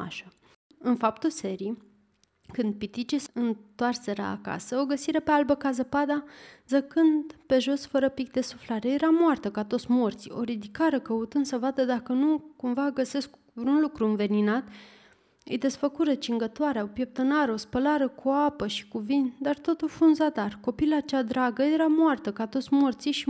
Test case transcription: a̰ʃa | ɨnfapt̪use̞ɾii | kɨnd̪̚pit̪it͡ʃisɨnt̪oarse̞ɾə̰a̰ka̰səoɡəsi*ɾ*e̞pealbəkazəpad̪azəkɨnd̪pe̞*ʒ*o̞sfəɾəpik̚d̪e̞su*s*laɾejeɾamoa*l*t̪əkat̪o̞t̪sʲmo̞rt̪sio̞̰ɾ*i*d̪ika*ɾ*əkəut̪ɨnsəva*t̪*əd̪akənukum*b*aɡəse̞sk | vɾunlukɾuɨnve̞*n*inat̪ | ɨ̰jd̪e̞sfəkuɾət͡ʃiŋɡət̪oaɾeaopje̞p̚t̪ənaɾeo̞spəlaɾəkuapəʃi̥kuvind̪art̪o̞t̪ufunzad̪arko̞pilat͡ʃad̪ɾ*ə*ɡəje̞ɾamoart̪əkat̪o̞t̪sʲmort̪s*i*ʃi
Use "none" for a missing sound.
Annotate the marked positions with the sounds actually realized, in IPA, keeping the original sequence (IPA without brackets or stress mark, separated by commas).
ɾ, ʒ, f, r, i, ɾ, d̪, v, n, a, i